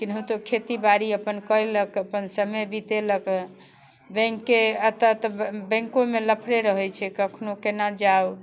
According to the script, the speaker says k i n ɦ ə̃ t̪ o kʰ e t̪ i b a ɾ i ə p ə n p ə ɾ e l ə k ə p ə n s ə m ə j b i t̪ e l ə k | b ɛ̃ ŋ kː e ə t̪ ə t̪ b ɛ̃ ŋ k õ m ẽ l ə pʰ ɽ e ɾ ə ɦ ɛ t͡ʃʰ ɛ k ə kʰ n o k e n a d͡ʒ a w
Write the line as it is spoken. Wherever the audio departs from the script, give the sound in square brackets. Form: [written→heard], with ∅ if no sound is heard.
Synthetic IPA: k i n ɦ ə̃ t̪ o kʰ e t̪ i b a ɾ i ə p ə n [p→k] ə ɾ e l ə k ə p ə n s ə m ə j b i t̪ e l ə k | b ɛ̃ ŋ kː e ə t̪ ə t̪ b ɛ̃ ŋ k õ m [ẽ→e] l ə pʰ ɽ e ɾ ə ɦ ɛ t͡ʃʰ ɛ k ə kʰ n o k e n a d͡ʒ a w